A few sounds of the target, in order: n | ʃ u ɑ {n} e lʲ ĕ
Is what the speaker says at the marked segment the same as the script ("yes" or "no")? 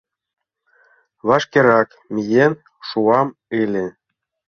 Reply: no